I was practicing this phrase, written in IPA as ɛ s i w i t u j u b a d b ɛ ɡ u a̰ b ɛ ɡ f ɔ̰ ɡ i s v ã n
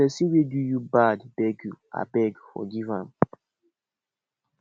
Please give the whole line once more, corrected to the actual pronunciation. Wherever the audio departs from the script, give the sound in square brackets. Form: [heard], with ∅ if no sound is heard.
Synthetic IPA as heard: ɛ s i w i [d] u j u b a d b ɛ ɡ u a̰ b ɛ ɡ f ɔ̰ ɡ i [∅] v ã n